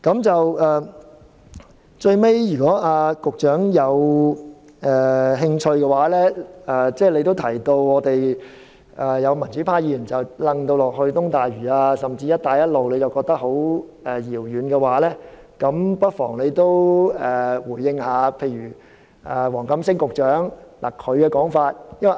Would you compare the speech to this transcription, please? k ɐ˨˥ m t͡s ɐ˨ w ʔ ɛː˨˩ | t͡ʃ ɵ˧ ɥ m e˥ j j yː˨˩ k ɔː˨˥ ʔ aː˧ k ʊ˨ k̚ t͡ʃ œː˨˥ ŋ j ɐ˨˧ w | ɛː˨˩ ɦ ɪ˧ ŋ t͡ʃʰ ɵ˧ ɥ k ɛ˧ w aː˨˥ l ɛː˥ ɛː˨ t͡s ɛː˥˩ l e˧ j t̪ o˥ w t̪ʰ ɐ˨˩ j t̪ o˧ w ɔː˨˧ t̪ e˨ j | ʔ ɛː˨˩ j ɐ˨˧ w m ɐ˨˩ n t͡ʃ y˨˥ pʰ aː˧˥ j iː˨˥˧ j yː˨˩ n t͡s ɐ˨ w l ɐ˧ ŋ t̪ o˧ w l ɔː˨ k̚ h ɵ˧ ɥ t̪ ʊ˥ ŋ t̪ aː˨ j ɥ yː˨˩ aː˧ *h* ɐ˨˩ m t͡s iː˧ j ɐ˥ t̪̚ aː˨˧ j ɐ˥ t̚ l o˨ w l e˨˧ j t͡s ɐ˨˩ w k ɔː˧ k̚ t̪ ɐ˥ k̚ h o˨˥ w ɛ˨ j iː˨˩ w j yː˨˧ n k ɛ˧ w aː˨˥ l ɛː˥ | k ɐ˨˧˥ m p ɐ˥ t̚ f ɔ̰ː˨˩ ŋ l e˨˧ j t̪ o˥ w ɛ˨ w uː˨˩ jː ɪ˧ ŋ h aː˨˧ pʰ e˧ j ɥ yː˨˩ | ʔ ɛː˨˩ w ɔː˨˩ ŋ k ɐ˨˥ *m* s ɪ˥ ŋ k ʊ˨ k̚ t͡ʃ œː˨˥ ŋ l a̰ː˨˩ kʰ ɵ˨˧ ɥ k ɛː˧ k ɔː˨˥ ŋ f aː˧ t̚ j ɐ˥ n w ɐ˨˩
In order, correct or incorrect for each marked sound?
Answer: incorrect: s, correct

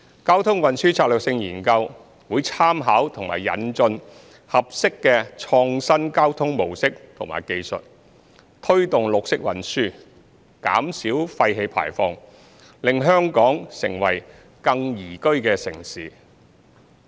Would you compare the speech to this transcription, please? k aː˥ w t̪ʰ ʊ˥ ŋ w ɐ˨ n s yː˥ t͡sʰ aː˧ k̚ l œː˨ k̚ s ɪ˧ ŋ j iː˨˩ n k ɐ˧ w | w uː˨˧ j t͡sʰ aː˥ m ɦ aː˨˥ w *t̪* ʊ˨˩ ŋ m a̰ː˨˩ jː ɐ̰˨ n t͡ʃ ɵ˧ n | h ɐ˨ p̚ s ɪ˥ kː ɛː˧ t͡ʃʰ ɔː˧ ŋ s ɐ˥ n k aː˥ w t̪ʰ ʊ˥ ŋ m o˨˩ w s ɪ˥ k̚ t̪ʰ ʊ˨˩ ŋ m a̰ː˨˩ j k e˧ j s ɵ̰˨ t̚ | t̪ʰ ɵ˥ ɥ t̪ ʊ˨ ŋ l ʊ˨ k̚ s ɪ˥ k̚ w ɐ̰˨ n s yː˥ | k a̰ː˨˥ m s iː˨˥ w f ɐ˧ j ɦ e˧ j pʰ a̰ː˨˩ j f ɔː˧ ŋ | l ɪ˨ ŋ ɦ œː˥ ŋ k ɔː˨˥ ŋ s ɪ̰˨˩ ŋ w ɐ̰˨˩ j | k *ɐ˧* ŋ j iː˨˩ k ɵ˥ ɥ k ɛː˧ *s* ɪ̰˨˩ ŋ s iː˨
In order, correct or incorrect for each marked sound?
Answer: incorrect: t̪ʰ, correct, correct

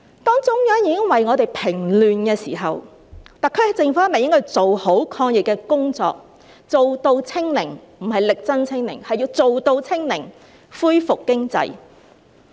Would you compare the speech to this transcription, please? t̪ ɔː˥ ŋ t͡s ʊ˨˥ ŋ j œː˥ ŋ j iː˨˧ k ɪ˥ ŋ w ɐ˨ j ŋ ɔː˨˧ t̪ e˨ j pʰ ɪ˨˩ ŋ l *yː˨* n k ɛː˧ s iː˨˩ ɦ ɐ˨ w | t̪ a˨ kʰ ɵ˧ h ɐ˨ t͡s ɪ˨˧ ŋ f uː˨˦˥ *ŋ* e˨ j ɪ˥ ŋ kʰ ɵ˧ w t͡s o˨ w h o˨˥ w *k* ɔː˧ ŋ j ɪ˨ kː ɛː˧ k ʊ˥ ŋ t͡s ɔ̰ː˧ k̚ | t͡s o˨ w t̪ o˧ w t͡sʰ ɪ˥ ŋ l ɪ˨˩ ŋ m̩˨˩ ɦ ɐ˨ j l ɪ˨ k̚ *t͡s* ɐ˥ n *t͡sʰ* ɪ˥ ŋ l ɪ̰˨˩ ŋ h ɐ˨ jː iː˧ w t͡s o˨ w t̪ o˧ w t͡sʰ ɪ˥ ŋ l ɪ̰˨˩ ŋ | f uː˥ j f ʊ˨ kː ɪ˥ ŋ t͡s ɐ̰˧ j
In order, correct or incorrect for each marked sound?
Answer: correct, incorrect: m, incorrect: kʰ, correct, correct

